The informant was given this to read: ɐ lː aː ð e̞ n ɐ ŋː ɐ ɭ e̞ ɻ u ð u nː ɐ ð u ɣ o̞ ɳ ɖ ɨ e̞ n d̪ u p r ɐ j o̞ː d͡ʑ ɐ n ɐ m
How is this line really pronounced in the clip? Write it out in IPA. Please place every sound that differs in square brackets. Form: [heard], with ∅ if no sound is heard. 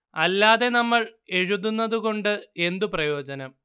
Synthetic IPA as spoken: ɐ lː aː ð e̞ n ɐ [mː] ɐ ɭ e̞ ɻ u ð u nː ɐ ð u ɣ o̞ ɳ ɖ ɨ e̞ n d̪ u p r ɐ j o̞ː d͡ʑ ɐ n ɐ m